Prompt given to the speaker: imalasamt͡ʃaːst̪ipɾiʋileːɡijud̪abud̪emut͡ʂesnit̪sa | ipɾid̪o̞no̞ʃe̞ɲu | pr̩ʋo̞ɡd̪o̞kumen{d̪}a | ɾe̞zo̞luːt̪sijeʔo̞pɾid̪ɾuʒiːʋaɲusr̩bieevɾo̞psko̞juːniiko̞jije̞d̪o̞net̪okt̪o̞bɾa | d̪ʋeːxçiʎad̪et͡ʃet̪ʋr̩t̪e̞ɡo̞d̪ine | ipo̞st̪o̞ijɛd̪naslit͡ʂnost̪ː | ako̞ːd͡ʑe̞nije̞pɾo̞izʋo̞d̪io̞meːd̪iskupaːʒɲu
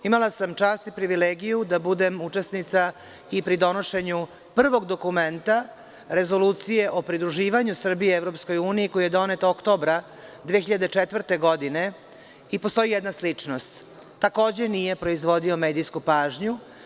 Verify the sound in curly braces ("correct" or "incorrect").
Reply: incorrect